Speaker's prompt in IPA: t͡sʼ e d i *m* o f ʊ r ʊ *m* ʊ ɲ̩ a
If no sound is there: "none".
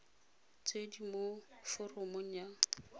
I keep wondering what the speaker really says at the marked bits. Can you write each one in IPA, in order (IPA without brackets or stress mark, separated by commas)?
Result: m, m